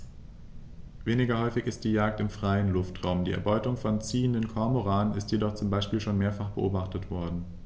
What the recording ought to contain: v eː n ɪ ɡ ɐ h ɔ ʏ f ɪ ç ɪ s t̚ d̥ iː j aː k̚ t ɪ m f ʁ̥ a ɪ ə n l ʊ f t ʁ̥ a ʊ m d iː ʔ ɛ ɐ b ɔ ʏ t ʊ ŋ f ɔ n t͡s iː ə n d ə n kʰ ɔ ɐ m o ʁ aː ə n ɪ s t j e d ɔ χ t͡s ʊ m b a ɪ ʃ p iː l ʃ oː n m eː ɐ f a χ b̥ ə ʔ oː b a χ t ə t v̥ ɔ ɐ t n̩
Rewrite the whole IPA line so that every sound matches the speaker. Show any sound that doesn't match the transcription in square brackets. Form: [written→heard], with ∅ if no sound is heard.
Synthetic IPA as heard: v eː n ɪ ɡ ɐ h ɔ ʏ f ɪ ç ɪ s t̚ d̥ iː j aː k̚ t ɪ m f ʁ̥ a ɪ ə n l ʊ f t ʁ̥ a ʊ m d iː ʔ ɛ ɐ b ɔ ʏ t ʊ ŋ f ɔ n t͡s iː ə n d ə n kʰ ɔ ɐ m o ʁ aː ə n ɪ s t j e d ɔ χ t͡s ʊ m b a ɪ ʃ p iː l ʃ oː n m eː ɐ f a χ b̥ ə ʔ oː b a χ t ə t v̥ ɔ ɐ [t→d] n̩